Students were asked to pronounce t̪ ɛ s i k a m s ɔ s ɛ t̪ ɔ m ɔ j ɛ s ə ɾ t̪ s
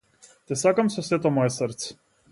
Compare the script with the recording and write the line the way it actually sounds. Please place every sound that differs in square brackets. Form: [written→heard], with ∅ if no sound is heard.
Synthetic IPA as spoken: t̪ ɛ s [i→a] k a m s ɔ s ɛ t̪ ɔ m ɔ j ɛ s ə ɾ t̪ s